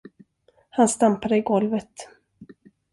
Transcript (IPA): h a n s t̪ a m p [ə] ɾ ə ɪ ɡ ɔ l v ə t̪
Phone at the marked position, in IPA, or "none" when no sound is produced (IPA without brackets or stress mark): a